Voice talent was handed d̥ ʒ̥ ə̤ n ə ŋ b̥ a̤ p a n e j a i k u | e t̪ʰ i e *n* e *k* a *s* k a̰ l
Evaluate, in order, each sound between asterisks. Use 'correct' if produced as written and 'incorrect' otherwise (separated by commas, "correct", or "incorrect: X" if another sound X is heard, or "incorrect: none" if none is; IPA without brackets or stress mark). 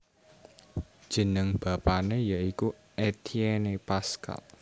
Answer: correct, incorrect: p, correct